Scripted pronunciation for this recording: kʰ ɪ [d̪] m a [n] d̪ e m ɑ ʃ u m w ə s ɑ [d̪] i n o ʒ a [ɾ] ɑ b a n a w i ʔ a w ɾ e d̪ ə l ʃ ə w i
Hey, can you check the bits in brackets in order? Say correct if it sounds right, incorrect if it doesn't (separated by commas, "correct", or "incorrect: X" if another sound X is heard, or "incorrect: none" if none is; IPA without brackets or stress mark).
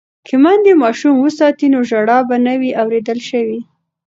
incorrect: none, correct, incorrect: t̪, incorrect: ɽ